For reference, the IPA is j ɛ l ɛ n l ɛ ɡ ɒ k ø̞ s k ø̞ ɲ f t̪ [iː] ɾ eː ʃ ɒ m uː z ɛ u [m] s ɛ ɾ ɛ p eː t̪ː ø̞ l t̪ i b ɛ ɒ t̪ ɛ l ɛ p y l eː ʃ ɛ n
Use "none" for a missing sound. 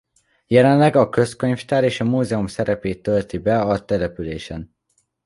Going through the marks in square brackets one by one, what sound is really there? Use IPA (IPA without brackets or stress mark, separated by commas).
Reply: aː, m